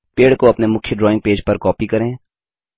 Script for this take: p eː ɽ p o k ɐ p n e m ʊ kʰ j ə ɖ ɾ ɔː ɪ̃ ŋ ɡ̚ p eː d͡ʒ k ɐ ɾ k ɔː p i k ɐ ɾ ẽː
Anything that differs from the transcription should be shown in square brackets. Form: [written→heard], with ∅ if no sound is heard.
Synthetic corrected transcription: p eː ɽ [p→k] o [k→∅] ɐ p n e m ʊ kʰ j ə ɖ ɾ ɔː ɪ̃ ŋ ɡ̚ p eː d͡ʒ [k→p] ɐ ɾ k ɔː p i k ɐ ɾ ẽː